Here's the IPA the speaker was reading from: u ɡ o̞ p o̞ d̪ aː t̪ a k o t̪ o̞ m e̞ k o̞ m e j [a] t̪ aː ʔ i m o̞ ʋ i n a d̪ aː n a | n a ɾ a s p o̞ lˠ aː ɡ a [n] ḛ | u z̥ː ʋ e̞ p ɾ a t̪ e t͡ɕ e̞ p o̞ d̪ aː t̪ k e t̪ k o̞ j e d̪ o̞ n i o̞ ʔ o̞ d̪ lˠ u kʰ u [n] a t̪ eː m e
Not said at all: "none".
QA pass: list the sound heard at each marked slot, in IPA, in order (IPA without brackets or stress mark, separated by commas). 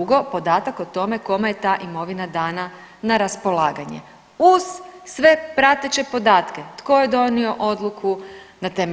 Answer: e, ɲ, n